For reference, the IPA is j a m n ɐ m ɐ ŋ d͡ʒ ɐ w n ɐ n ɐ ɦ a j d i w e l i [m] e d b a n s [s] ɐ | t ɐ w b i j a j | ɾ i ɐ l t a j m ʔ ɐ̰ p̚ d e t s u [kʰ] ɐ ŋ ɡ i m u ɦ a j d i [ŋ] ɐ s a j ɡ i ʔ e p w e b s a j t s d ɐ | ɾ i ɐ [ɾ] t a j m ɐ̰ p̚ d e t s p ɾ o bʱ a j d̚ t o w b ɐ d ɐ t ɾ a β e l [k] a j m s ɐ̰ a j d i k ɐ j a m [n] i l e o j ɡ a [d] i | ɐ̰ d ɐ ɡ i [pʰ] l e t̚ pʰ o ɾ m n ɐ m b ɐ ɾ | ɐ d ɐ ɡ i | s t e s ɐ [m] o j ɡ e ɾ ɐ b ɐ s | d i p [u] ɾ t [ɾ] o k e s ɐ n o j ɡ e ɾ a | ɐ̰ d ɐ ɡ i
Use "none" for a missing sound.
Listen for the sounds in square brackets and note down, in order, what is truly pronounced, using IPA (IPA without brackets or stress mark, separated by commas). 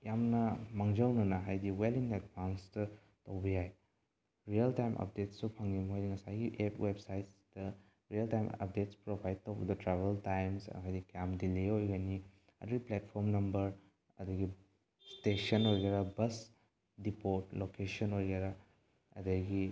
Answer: ŋ, t, pʰ, ŋ, l, t, d, n, p, n, o, l